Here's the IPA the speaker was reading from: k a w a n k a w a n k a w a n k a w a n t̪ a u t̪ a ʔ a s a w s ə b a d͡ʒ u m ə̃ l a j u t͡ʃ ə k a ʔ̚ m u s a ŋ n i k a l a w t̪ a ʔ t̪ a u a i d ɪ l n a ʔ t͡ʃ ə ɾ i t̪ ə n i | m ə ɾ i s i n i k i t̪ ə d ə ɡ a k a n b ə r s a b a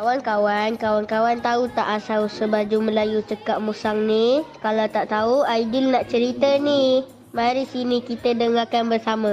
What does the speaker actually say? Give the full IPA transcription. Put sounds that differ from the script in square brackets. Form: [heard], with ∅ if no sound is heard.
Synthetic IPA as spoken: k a w a n k a w a n k a w a n k a w a n t̪ a u t̪ a ʔ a s a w s ə b a d͡ʒ u m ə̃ l a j u t͡ʃ ə k a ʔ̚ m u s a ŋ n i k a l a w t̪ a ʔ t̪ a u a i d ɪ l n a ʔ t͡ʃ ə ɾ i t̪ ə n i | m [a] ɾ i s i n i k i t̪ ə d ə [ŋ] a k a n b ə r s a [m] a